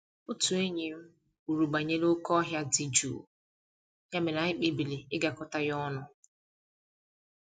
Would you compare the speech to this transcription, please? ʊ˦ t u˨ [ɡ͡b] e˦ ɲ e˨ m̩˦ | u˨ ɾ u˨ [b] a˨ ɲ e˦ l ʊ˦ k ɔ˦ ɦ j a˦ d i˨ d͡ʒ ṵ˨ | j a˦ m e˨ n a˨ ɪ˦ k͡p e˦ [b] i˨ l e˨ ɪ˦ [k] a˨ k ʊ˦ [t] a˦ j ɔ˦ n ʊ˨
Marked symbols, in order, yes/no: no, no, yes, no, yes

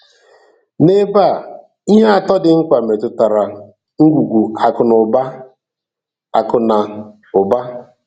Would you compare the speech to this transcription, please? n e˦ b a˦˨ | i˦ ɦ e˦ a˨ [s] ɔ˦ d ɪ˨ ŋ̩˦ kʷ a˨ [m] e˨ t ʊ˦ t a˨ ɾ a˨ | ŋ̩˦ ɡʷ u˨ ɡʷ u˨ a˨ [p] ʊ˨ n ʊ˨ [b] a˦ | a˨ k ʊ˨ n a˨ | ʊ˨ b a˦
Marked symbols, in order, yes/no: no, yes, no, yes

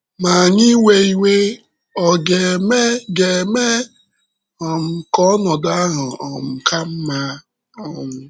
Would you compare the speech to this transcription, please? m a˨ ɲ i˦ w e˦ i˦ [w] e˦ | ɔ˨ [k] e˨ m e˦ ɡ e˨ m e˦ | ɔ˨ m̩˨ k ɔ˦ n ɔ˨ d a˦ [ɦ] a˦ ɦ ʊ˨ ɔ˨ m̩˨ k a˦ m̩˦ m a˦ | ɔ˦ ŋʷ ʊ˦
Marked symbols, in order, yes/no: yes, no, no

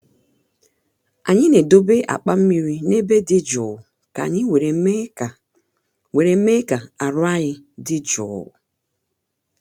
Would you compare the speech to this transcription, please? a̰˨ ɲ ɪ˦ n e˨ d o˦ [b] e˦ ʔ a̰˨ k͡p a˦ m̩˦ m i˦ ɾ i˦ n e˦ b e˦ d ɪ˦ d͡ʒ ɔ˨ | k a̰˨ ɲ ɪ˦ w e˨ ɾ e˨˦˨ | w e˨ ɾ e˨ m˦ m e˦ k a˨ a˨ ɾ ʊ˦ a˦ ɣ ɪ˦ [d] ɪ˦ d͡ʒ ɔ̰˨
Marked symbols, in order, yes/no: yes, yes

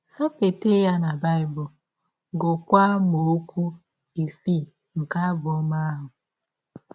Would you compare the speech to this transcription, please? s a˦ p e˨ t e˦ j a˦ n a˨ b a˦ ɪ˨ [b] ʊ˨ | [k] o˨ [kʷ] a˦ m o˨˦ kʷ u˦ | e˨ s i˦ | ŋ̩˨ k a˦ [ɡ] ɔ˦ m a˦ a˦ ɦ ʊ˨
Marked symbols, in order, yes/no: yes, no, yes, no

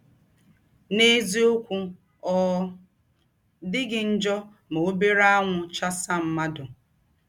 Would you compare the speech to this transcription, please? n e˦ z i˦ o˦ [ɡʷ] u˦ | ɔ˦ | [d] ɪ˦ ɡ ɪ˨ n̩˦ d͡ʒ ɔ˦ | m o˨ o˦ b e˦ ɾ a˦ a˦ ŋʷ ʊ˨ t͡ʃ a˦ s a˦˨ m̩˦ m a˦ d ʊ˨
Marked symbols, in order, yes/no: no, yes

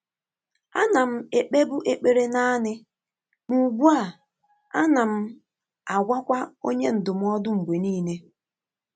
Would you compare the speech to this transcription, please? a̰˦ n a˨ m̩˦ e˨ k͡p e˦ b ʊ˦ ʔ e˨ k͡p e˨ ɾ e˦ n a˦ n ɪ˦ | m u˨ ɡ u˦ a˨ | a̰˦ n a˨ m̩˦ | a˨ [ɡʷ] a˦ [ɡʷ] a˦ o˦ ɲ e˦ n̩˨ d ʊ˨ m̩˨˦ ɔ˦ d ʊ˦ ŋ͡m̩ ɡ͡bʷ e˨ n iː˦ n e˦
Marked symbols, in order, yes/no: yes, no

